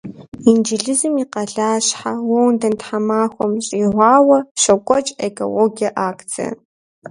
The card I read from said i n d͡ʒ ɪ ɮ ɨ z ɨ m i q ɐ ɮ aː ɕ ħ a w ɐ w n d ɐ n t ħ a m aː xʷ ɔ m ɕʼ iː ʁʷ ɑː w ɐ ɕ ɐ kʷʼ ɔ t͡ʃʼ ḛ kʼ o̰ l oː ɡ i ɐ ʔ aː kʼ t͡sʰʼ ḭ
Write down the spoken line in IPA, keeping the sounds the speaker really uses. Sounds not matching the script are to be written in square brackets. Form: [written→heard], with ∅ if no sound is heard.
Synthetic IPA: i n d͡ʒ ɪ ɮ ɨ z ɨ m i q ɐ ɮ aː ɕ ħ a w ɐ w n d ɐ n t ħ a m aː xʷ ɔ m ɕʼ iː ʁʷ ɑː w ɐ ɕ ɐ kʷʼ ɔ t͡ʃʼ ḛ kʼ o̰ l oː ɡ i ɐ ʔ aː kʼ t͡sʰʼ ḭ